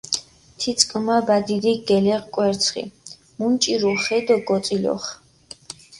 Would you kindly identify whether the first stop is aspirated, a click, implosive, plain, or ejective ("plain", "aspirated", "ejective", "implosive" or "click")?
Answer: aspirated